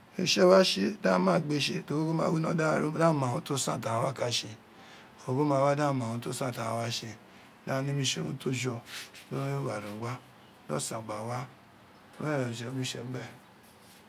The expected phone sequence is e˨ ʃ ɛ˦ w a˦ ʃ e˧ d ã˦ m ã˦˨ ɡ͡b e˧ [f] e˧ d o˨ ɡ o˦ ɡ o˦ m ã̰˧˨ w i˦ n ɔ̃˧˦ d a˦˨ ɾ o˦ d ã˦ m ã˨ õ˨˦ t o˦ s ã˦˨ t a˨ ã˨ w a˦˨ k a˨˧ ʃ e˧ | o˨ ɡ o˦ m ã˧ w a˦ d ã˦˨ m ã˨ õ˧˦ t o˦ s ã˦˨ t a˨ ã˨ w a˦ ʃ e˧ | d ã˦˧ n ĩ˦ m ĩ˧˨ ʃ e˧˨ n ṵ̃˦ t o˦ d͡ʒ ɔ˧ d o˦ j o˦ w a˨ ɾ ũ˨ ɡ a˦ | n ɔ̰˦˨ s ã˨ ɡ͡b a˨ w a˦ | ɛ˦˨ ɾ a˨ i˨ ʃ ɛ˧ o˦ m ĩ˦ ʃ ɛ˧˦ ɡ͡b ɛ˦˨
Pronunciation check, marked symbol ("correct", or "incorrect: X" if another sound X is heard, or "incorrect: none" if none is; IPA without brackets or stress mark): incorrect: ʃ